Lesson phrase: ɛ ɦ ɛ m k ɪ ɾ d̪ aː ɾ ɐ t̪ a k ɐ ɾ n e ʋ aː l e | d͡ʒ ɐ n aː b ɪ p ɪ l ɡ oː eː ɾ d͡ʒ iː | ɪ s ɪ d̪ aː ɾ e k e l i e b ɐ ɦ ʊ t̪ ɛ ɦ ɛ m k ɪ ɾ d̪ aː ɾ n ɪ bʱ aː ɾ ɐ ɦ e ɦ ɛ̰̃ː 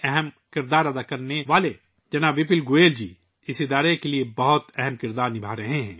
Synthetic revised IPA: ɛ ɦ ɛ m k ɪ ɾ d̪ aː ɾ ɐ d̪ a k ɐ ɾ n e ʋ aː l e | d͡ʒ ɐ n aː b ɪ p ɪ l ɡ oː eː l d͡ʒ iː | ɪ s ɪ d̪ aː ɾ e k e l i e b ɐ ɦ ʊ t̪ ɛ ɦ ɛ m k ɪ ɾ d̪ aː ɾ n ɪ bʱ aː ɾ ɐ ɦ e ɦ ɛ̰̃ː